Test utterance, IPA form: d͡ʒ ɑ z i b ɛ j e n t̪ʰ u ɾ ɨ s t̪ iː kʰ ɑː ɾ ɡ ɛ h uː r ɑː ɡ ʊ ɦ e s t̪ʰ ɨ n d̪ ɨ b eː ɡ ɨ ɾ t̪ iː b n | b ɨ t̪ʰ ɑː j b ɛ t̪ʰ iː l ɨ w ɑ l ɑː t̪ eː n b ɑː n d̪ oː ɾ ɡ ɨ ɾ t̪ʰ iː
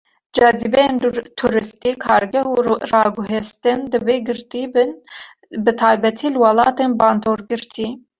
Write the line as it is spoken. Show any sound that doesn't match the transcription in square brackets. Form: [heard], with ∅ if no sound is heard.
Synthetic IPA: d͡ʒ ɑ z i b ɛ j e n t̪ʰ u ɾ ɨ s t̪ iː kʰ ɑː ɾ ɡ ɛ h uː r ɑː ɡ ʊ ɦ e s [t̪] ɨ n d̪ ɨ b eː ɡ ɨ ɾ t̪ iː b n | b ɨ t̪ʰ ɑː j b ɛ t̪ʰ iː l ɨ w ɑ l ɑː t̪ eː n b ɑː n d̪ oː ɾ ɡ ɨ ɾ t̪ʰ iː